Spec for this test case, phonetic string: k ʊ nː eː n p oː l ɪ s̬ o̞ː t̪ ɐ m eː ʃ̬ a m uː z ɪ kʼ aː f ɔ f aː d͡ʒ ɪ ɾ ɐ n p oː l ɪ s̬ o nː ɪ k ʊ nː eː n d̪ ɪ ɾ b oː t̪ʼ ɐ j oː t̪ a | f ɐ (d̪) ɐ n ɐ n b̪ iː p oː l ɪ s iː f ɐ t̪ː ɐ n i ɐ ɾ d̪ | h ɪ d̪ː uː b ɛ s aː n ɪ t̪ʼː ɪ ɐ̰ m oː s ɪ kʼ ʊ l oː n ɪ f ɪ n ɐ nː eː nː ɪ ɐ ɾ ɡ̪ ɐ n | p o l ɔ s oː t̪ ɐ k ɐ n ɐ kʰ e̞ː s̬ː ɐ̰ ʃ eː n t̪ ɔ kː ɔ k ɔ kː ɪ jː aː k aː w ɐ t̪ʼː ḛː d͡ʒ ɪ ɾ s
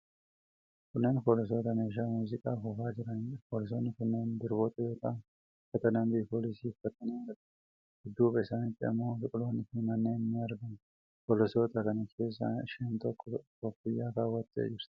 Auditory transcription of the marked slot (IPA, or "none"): t̪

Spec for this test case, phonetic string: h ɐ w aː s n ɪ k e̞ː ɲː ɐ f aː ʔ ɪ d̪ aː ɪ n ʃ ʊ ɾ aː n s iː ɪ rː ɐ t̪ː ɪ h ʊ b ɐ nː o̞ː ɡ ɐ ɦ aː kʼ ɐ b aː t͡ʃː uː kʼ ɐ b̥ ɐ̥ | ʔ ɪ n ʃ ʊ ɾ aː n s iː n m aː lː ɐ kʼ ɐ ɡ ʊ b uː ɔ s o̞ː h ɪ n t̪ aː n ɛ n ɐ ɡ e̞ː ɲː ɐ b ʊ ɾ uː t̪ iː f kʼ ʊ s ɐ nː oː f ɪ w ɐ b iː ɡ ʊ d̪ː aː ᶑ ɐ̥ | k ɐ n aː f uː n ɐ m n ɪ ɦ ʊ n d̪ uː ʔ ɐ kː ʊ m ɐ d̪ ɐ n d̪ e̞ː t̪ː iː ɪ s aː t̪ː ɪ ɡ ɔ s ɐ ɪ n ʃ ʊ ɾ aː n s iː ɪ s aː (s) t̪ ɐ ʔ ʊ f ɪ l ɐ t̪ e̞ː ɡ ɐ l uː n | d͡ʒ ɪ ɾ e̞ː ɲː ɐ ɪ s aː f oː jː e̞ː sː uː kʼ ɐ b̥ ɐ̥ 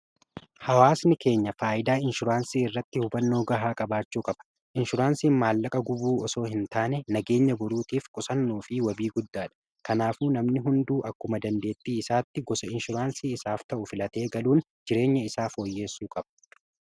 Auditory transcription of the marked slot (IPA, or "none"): f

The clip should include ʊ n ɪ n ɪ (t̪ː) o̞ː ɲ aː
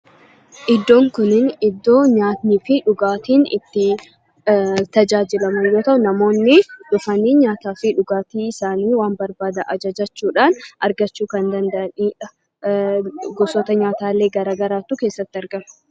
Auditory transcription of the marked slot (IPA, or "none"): d̪ː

